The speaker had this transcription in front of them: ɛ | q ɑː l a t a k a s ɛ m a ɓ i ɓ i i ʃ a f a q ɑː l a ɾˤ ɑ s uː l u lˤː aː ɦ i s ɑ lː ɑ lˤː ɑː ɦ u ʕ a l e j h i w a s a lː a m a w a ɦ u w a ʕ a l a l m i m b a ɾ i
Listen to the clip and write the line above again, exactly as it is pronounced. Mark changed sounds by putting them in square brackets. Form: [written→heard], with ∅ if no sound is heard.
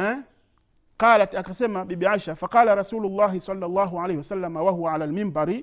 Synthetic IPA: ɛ | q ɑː l a t a k a s ɛ m a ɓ i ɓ i [i→a] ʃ a f a q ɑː l a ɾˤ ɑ s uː l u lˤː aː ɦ i s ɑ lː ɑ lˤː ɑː ɦ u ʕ a l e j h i w a s a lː a m a w a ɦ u w a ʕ a l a l m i m b a ɾ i